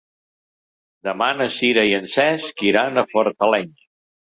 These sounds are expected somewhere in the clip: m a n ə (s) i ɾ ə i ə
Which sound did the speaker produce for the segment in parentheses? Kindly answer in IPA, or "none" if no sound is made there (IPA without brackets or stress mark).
s